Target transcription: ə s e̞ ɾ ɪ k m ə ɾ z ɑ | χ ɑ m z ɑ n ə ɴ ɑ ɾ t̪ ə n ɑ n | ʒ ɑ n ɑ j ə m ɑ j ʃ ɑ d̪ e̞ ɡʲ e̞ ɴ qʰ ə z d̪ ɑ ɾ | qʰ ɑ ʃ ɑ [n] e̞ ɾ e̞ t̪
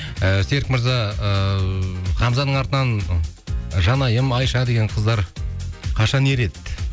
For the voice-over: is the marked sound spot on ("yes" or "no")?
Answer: yes